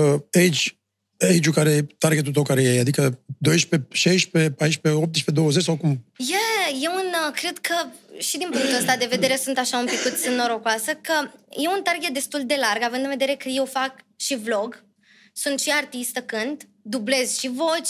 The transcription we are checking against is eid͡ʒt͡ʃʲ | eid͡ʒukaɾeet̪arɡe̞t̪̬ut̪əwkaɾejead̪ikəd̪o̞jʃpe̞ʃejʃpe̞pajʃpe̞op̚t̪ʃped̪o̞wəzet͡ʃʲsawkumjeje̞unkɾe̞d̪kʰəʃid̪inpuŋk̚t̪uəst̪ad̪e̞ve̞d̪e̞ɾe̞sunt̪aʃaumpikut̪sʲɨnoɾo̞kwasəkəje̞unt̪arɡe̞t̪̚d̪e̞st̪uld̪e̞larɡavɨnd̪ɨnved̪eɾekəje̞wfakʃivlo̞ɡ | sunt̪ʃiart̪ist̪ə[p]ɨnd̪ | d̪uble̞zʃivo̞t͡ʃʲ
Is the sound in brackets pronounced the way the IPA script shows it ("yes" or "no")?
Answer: no